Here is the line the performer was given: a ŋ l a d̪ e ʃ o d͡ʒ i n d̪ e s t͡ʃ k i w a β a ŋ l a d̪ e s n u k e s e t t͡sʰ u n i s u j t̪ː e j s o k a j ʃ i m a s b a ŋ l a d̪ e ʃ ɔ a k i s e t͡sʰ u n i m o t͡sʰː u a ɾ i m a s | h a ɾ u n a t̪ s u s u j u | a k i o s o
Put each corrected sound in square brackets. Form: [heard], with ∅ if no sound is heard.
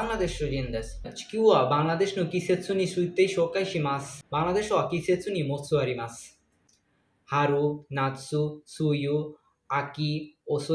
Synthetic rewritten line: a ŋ l a d̪ e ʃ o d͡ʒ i n d̪ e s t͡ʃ k i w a [b] a ŋ l a d̪ e [ʃ] n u k [i] s e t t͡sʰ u n i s u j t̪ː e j [ʃ] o k a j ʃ i m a s b a ŋ l a d̪ e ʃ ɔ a k i s e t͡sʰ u n i m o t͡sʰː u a ɾ i m a s | h a ɾ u n a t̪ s u s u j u | a k i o s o